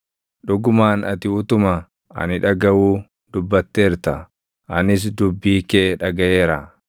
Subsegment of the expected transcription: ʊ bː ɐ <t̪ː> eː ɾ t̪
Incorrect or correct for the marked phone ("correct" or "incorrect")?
correct